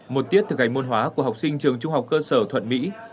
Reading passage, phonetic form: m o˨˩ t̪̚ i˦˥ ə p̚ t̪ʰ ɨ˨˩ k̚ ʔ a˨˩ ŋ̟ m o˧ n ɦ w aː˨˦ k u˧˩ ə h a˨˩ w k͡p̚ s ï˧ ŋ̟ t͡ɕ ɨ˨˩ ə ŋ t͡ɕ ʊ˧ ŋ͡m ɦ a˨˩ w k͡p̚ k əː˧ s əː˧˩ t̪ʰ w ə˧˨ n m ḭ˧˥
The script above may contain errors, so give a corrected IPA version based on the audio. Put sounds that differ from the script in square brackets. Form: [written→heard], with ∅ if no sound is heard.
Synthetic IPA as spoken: m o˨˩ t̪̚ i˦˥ ə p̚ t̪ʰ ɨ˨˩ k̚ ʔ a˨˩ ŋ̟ m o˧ n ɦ w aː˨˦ k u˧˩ ə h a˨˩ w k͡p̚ s ï˧ ŋ̟ t͡ɕ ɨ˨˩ ə ŋ t͡ɕ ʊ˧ ŋ͡m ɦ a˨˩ w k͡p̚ k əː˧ s əː˧˩ t̪ʰ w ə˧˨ n m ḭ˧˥